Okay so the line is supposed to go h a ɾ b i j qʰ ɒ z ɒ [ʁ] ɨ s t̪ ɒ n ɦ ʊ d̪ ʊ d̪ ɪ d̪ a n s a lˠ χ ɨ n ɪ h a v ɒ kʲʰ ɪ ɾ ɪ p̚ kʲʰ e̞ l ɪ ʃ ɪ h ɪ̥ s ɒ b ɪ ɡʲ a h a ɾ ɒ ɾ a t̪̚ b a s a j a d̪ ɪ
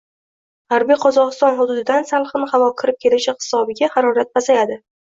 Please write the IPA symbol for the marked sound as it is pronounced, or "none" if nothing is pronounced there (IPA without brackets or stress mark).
ʁ